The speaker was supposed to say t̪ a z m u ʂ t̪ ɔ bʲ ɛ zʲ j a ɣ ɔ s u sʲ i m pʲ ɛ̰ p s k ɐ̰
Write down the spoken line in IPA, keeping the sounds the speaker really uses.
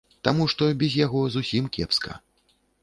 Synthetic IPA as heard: t̪ a m u ʂ t̪ ɔ bʲ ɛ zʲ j a ɣ ɔ z u sʲ i m kʲ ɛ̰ p s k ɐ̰